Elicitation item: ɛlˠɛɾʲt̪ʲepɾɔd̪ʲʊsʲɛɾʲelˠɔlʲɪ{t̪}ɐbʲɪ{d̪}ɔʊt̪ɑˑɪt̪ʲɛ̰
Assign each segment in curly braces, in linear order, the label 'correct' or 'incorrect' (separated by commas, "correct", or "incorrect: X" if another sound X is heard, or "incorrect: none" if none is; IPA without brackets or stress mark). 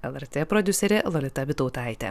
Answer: correct, incorrect: t̪